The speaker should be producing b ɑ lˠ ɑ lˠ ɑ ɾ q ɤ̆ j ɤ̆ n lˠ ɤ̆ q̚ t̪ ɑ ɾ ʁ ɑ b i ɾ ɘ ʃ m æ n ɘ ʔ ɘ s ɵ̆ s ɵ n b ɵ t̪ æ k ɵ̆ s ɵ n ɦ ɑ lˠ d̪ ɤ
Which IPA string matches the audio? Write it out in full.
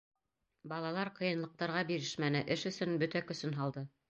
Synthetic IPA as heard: b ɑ lˠ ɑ lˠ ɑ ɾ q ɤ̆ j ɤ̆ n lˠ ɤ̆ q̚ t̪ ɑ ɾ ʁ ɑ b i ɾ ɘ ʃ m æ n ɘ ʔ ɘ ʃ ɵ̆ s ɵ n b ɵ t̪ æ k ɵ̆ s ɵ n ɦ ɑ lˠ d̪ ɤ